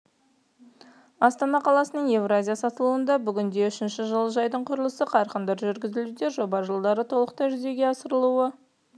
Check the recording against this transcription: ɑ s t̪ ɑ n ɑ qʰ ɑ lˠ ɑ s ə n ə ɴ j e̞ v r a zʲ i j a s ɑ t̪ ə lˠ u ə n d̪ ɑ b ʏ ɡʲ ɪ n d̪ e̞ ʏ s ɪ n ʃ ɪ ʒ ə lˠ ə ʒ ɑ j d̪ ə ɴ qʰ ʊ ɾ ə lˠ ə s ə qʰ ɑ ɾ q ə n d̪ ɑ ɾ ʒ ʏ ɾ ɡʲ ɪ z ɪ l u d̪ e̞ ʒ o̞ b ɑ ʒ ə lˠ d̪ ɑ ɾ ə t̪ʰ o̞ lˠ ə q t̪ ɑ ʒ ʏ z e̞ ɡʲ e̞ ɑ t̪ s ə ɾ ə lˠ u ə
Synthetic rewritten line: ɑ s t̪ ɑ n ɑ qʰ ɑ lˠ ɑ s ə n ə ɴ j e̞ v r a zʲ i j a s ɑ t̪ ə lˠ u ə n d̪ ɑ b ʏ ɡʲ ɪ n d̪ e̞ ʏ ʃ ɪ n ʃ ɪ ʒ ə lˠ ə ʒ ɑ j d̪ ə ɴ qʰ ʊ ɾ ə lˠ ə s ə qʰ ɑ ɾ q ə n d̪ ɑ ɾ ʒ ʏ ɾ ɡʲ ɪ z ɪ l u d̪ e̞ ʒ o̞ b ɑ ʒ ə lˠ d̪ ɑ ɾ ə t̪ʰ o̞ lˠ ə q t̪ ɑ ʒ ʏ z e̞ ɡʲ e̞ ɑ s ə ɾ ə lˠ u ə